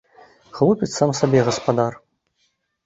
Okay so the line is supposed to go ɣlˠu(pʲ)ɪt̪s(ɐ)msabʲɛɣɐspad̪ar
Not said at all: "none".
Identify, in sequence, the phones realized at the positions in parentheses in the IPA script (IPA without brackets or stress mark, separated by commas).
pʲ, a